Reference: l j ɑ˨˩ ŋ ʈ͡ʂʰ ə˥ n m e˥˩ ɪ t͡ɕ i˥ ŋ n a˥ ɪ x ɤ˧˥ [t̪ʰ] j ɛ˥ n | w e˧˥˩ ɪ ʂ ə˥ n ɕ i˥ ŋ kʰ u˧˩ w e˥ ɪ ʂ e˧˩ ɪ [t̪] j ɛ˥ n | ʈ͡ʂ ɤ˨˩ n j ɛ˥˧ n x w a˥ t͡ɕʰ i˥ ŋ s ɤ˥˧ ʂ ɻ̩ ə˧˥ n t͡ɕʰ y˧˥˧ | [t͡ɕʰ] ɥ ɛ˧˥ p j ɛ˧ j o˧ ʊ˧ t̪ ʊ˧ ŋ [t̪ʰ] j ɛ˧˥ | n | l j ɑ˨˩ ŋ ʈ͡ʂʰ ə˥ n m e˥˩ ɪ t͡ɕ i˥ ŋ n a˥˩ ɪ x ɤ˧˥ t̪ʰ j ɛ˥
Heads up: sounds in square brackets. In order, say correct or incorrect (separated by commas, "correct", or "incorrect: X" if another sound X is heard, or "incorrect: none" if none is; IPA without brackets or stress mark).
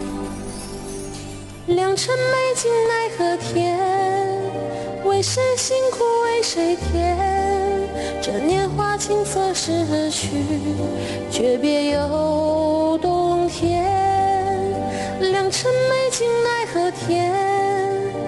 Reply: correct, incorrect: t̪ʰ, incorrect: t͡ɕ, correct